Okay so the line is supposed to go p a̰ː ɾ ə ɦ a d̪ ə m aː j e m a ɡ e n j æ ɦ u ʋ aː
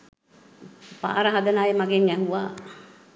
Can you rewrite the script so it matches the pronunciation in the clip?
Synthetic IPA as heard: p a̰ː ɾ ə ɦ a d̪ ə n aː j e m a ɡ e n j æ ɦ u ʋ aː